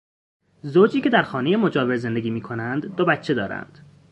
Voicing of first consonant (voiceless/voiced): voiced